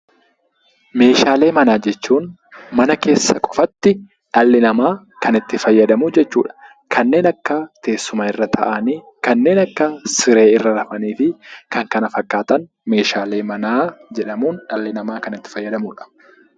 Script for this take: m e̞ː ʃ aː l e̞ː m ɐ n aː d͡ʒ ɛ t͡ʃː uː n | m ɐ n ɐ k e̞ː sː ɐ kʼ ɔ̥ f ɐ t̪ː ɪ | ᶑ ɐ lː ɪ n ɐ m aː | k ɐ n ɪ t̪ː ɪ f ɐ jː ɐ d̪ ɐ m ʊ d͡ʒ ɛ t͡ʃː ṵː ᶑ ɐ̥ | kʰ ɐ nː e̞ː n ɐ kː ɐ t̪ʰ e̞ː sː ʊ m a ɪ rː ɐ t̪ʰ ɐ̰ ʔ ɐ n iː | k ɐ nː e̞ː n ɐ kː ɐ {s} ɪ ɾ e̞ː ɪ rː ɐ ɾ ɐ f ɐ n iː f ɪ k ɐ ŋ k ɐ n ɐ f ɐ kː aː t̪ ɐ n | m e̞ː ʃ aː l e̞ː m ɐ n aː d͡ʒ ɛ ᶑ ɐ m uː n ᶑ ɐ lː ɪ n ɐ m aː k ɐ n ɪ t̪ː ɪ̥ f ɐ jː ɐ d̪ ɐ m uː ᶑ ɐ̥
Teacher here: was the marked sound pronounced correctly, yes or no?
yes